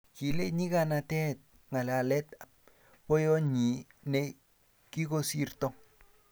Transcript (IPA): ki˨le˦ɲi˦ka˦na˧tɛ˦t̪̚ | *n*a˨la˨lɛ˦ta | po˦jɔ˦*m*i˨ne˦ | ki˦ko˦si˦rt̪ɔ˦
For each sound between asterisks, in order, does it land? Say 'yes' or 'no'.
no, no

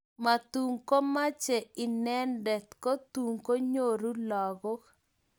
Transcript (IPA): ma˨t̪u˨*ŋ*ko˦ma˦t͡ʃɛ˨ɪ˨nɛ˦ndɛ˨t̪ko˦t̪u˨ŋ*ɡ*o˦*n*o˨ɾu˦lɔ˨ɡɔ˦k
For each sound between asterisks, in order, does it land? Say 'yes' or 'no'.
yes, no, no

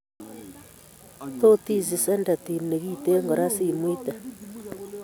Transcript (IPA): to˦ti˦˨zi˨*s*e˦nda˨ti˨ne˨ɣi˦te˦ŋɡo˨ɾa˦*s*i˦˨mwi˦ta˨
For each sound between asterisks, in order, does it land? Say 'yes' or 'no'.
yes, yes

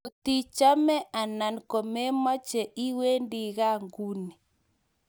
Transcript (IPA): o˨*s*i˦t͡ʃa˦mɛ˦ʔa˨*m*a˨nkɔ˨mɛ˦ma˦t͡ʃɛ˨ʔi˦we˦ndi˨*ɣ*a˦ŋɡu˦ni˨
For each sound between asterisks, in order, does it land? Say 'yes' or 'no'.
no, no, yes

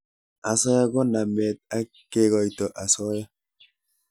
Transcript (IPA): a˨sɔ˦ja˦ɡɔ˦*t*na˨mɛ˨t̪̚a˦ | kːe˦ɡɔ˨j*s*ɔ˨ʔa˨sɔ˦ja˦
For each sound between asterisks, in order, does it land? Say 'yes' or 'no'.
no, no

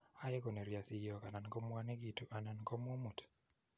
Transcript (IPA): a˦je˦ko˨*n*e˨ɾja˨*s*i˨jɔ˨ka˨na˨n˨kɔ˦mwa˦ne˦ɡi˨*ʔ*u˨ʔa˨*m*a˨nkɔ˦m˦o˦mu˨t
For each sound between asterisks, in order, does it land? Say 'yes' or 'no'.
yes, yes, no, no

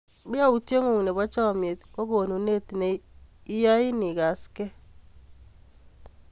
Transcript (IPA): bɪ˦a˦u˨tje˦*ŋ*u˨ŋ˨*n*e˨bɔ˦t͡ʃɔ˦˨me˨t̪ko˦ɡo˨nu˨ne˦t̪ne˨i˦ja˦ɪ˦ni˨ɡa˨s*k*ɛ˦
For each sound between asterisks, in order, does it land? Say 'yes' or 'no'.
yes, yes, yes

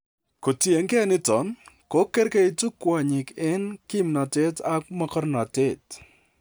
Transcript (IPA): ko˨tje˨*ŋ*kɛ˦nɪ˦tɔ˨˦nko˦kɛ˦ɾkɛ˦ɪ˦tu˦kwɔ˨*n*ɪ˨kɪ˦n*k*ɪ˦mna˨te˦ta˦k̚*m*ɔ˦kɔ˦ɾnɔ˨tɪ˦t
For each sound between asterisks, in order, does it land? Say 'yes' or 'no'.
yes, no, yes, yes

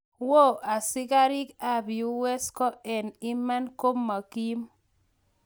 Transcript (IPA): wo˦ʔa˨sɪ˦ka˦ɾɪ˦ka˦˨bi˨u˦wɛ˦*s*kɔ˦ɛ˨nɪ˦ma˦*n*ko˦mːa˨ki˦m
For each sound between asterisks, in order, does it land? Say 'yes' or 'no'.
yes, yes

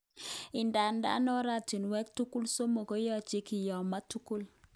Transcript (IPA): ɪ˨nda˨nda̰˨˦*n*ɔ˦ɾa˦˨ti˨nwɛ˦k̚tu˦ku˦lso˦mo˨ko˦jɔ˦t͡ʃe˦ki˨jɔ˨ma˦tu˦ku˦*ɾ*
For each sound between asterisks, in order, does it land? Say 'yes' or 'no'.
yes, no

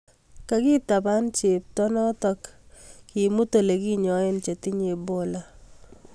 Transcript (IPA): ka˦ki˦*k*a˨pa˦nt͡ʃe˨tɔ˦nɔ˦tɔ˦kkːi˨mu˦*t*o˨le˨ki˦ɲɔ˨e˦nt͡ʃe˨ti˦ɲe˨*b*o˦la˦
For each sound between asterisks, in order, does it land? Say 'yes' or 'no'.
no, yes, yes

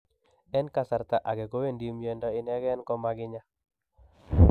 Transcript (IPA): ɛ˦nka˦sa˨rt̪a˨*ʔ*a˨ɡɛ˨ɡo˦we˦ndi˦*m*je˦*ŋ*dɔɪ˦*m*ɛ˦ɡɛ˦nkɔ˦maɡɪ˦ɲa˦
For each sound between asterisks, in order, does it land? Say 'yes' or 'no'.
yes, yes, no, no

